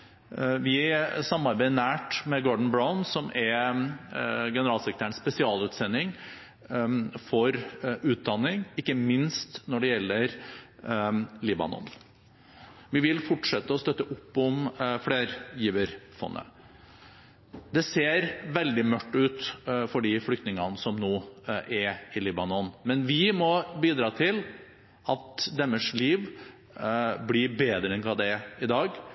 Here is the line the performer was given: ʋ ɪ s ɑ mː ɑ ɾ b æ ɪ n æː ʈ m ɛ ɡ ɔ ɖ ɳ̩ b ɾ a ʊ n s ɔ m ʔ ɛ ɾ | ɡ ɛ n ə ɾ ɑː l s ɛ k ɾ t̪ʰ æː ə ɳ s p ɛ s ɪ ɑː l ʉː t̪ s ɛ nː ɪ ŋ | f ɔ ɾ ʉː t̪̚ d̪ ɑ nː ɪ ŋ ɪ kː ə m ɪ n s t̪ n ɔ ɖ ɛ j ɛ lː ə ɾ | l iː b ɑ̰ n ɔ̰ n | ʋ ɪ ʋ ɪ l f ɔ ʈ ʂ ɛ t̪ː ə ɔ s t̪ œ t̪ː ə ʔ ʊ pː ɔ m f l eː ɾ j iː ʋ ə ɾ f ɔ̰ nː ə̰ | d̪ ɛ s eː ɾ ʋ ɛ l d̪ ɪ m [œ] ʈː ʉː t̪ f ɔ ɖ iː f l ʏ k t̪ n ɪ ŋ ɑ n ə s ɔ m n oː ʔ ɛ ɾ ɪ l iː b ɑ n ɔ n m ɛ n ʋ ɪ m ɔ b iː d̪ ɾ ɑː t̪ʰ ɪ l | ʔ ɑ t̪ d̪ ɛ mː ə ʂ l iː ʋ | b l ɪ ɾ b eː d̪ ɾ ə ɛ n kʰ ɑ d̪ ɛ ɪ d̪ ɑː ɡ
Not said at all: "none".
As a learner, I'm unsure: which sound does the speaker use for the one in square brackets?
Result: œ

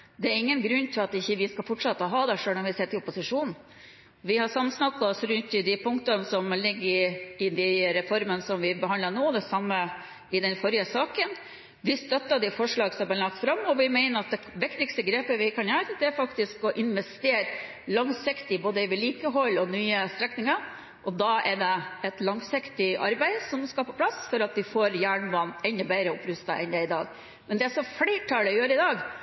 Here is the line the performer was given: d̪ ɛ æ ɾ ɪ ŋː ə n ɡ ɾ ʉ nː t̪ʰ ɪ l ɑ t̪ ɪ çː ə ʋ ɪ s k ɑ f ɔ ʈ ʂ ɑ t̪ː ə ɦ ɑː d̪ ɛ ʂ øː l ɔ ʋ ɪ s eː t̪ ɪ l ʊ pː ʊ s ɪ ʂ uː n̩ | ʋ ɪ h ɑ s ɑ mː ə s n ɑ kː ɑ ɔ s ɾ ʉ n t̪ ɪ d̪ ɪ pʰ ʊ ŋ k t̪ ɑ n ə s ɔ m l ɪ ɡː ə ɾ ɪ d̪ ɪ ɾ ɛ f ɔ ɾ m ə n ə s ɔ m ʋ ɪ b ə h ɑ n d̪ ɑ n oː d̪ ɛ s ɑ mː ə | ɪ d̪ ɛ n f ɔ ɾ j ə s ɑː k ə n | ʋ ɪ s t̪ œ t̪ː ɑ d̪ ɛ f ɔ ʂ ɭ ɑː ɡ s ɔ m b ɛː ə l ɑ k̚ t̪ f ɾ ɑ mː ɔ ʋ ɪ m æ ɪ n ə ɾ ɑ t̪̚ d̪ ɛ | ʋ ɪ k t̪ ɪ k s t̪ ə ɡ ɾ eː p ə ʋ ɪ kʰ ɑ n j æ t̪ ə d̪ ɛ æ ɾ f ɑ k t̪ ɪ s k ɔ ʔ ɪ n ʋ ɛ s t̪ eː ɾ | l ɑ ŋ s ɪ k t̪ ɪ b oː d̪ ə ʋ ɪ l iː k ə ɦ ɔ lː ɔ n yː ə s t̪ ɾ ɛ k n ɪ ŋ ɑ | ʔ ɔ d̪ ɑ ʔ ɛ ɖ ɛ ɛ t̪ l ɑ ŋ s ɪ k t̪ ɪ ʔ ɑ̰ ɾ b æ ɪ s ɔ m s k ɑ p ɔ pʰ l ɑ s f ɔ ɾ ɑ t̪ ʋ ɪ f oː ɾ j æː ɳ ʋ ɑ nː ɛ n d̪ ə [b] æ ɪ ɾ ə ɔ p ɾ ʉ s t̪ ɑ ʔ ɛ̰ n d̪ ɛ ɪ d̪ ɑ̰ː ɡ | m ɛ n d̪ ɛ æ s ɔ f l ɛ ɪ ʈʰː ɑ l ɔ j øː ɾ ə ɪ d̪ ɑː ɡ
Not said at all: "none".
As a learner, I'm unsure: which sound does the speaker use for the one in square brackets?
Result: b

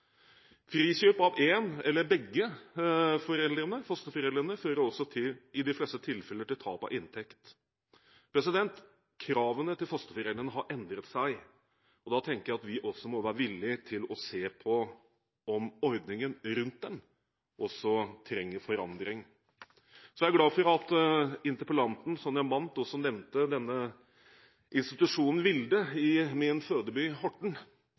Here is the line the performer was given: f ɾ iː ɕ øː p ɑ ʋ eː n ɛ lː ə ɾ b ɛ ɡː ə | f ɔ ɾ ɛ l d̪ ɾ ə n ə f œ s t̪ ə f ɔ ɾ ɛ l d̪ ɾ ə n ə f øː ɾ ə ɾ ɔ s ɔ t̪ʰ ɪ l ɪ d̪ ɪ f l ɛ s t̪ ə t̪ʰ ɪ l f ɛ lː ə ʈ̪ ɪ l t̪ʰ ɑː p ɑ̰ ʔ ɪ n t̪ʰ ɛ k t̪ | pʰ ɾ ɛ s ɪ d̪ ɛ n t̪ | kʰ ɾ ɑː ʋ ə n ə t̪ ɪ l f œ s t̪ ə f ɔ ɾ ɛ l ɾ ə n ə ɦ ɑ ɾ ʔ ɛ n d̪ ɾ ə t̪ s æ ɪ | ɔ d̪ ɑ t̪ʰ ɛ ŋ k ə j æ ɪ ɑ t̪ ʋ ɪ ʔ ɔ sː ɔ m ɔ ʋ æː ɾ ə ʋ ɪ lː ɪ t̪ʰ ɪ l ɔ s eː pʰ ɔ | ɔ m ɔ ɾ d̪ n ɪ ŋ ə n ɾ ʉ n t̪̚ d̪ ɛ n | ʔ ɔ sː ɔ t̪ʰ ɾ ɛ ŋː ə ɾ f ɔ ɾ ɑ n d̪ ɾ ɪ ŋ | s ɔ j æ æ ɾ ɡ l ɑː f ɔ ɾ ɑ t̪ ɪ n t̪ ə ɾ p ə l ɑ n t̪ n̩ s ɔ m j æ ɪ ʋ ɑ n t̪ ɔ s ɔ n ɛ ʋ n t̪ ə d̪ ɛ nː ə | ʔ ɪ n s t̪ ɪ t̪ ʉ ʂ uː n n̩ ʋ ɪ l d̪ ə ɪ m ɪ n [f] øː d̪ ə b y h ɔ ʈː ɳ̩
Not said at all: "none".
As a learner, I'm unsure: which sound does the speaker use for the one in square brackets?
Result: f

